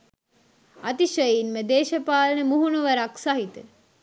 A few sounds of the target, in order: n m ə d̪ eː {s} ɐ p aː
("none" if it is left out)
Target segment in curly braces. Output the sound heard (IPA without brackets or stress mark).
ʃ